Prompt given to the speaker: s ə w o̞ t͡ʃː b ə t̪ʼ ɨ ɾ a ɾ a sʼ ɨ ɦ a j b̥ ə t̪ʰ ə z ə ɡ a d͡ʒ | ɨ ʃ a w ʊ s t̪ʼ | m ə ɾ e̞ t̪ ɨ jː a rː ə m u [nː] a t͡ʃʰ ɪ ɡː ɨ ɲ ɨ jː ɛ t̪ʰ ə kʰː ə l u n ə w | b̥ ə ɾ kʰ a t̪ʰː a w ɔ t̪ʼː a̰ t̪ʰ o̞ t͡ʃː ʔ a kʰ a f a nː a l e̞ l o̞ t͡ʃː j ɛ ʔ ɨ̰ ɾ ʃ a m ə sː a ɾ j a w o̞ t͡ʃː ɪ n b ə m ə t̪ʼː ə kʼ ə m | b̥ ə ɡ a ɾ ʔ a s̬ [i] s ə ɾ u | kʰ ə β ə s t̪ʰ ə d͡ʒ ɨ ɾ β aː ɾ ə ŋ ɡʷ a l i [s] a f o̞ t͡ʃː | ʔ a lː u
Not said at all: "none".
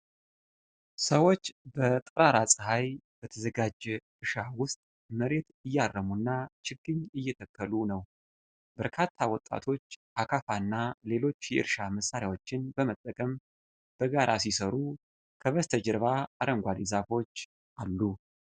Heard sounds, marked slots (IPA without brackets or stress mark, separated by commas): nː, i, z